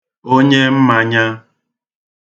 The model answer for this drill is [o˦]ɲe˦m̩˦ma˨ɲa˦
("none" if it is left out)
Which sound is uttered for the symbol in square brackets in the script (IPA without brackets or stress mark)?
o˦